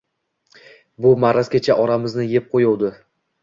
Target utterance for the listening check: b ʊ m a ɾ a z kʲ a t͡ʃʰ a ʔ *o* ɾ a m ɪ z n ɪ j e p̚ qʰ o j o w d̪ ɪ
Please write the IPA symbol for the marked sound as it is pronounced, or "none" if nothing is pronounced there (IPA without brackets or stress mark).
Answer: ɒ